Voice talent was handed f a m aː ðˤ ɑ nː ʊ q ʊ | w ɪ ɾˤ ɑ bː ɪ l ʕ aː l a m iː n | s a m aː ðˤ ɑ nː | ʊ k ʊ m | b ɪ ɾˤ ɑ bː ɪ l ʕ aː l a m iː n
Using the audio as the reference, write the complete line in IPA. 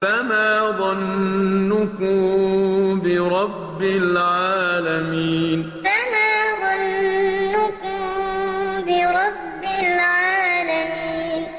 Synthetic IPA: f a m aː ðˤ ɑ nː ʊ k ʊ | b ɪ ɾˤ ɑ bː ɪ l ʕ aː l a m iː n | f a m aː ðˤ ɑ nː | ʊ k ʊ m | b ɪ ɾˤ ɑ bː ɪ l ʕ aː l a m iː n